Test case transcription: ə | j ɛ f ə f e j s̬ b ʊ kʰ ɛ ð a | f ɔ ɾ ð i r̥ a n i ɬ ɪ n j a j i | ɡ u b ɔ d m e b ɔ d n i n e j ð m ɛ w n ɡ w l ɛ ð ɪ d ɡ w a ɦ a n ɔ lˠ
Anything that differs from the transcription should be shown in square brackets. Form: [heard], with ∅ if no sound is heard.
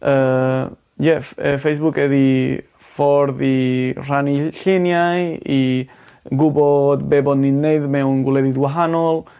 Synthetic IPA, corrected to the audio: ə | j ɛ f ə f e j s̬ b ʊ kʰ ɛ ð [i] | f ɔ ɾ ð i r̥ a n i ɬ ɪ n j a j i | ɡ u b ɔ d [b] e b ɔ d n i n e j ð m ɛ w n ɡ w l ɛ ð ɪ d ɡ w a ɦ a n ɔ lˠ